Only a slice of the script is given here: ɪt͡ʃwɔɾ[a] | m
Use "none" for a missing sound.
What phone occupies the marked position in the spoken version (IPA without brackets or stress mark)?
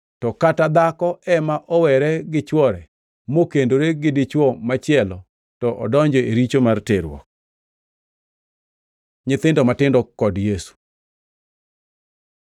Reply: ɛ